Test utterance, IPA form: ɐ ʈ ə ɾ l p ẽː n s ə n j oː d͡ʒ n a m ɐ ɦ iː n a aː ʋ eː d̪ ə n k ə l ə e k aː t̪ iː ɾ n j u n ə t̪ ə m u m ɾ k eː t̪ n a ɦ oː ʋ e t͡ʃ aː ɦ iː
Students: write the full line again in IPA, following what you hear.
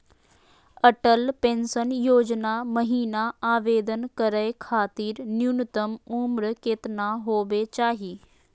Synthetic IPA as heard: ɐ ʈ ə l p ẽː n s ə n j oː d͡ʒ n a m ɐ ɦ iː n a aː ʋ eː d̪ ə n k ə ɾ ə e kʰ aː t̪ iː ɾ n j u n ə t̪ ə m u m ɾ k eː t̪ n a ɦ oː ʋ e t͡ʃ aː ɦ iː